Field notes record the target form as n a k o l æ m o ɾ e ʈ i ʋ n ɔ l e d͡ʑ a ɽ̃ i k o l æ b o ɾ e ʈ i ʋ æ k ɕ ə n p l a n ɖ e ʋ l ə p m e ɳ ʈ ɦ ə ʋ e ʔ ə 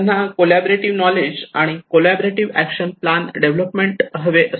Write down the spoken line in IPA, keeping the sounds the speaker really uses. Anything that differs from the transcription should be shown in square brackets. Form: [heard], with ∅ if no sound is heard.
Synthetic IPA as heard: n a k o l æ [b] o ɾ e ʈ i ʋ n ɔ l e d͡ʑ a ɽ̃ i k o l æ b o ɾ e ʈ i ʋ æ k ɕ ə n p l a n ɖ e ʋ l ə p m e ɳ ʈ ɦ ə ʋ e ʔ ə